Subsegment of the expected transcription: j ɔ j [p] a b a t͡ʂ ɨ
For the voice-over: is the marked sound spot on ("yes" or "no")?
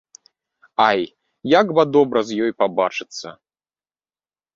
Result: yes